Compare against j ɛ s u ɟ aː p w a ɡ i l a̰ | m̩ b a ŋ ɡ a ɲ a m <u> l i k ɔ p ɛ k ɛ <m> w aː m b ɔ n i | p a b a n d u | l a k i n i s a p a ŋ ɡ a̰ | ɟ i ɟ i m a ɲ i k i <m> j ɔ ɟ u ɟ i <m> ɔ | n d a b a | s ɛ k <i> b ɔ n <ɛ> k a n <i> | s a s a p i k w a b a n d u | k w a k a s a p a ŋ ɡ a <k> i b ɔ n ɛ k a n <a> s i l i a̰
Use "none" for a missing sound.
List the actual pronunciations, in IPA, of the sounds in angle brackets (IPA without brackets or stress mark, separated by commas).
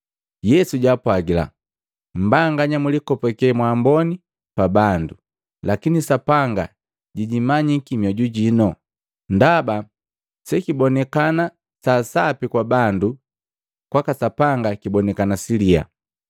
u, m, m, n, i, ɛ, a, k, a